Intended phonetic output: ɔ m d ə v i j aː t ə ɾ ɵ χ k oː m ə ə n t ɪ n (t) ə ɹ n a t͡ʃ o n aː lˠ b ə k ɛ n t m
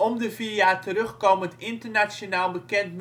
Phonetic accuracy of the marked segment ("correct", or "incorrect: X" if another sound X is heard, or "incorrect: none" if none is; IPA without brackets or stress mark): correct